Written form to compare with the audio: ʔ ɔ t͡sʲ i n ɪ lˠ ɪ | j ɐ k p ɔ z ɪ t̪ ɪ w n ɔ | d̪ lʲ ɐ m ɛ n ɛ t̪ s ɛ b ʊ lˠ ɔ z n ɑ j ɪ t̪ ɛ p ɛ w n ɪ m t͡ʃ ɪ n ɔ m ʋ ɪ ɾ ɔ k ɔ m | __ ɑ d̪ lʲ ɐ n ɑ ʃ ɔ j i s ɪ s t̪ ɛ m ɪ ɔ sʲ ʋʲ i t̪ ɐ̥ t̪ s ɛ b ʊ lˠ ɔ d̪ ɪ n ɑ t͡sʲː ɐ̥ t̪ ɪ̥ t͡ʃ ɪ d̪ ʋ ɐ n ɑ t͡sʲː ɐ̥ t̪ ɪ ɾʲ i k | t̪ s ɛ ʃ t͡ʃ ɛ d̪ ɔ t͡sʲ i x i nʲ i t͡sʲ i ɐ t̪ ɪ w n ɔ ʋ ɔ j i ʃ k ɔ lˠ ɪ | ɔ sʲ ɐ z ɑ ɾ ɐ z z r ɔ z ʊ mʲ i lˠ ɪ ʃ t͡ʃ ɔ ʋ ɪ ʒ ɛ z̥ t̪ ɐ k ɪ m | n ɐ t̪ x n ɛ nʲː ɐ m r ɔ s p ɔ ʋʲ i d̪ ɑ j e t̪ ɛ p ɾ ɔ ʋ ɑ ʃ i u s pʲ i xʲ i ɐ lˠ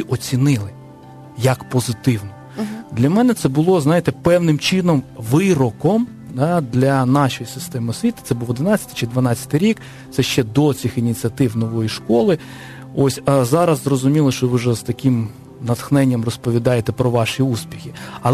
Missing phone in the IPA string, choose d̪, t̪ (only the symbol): d̪